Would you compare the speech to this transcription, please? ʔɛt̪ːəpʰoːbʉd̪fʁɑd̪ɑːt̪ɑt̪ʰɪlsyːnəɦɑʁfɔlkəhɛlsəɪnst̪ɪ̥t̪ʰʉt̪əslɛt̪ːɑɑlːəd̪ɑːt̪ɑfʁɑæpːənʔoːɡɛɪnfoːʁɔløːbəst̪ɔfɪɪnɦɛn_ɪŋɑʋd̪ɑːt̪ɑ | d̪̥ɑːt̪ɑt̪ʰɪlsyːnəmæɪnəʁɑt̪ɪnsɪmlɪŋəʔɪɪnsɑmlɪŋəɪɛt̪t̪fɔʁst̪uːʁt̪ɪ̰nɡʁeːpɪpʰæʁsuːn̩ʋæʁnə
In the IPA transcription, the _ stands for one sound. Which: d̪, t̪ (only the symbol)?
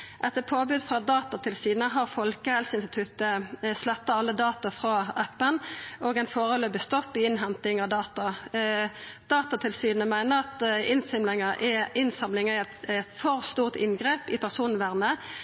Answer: t̪